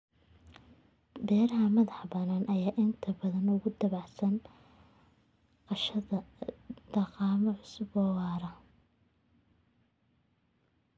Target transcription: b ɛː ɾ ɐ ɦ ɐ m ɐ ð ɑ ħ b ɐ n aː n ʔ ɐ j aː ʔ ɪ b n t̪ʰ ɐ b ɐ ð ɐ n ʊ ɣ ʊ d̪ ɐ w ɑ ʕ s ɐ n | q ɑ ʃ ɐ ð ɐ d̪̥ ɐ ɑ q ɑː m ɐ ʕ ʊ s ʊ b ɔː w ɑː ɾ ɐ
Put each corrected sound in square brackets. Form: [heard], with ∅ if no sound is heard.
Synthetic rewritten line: b ɛː ɾ ɐ ɦ ɐ m ɐ ð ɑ ħ b ɐ n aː n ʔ ɐ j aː ʔ ɪ [∅] n t̪ʰ ɐ b ɐ ð ɐ n ʊ ɣ ʊ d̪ ɐ [β] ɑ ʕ s ɐ n | q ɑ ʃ ɐ ð ɐ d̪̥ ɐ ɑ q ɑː m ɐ ʕ ʊ s ʊ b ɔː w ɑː ɾ ɐ